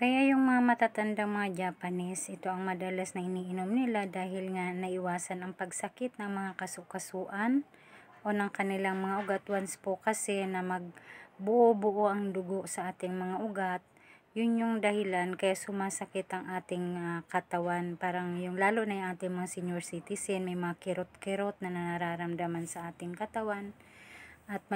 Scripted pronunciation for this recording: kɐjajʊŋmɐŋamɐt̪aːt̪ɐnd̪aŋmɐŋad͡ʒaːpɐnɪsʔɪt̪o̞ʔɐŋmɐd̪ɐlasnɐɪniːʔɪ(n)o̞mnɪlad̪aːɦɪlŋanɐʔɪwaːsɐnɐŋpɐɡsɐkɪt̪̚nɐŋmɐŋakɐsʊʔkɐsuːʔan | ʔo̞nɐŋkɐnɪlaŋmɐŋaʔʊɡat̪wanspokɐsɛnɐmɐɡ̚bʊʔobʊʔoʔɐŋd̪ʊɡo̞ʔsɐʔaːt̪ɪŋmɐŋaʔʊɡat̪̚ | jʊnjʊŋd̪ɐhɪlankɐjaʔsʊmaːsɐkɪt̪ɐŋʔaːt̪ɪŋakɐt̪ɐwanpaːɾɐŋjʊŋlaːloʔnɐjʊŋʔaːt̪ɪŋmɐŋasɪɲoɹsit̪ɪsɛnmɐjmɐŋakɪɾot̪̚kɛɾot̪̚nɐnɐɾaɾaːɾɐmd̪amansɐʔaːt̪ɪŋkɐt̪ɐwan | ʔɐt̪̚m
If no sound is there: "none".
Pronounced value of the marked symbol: n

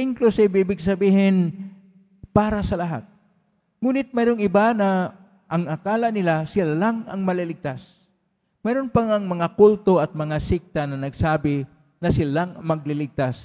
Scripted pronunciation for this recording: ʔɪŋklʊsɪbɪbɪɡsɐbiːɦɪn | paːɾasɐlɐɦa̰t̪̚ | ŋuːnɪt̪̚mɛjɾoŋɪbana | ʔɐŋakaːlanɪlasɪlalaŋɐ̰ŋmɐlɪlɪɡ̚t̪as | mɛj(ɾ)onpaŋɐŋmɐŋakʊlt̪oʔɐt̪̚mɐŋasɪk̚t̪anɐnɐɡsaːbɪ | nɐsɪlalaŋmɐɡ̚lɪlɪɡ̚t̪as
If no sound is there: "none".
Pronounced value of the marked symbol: ɾ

